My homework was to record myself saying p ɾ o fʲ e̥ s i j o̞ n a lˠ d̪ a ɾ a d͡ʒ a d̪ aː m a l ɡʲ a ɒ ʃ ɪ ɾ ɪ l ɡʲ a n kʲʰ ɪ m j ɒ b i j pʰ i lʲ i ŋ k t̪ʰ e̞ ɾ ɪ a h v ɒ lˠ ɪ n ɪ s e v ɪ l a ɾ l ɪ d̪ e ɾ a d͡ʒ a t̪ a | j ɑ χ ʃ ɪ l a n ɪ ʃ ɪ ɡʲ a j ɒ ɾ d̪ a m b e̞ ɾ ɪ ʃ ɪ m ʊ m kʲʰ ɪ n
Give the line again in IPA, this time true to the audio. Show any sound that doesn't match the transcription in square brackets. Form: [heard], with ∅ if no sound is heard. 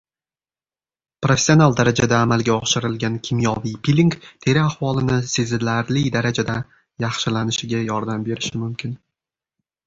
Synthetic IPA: p ɾ o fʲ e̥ s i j o̞ n a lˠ d̪ a ɾ a d͡ʒ a d̪ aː m a l ɡʲ a ɒ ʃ ɪ ɾ ɪ l ɡʲ a n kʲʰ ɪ m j ɒ [v] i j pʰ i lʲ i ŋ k t̪ʰ e̞ ɾ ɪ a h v ɒ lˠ ɪ n ɪ s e [z] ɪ l a ɾ l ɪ d̪ [a] ɾ a d͡ʒ a [d̪] a | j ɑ χ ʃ ɪ l a n ɪ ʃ ɪ ɡʲ a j ɒ ɾ d̪ a m b e̞ ɾ ɪ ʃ ɪ m ʊ m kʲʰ ɪ n